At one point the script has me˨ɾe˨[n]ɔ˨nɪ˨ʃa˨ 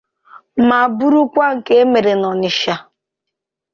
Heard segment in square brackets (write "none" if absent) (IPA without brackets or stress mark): n